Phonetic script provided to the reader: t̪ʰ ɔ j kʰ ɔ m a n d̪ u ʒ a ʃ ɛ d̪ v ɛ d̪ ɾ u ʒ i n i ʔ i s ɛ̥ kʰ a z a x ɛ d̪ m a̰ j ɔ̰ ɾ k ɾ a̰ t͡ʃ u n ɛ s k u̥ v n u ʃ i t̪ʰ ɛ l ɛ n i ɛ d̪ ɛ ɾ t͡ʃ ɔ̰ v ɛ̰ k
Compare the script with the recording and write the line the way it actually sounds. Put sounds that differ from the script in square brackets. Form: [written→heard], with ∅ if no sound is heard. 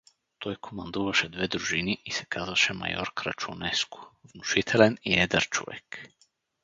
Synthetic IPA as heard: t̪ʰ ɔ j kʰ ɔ m a n d̪ u [ʒ→v] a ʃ ɛ d̪ v ɛ d̪ ɾ u ʒ i n i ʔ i s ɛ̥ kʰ a z a [x→ʃ] ɛ [d̪→∅] m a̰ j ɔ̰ ɾ k ɾ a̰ t͡ʃ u n ɛ s k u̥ v n u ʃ i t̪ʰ ɛ l ɛ n i ɛ d̪ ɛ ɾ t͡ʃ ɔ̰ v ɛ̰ k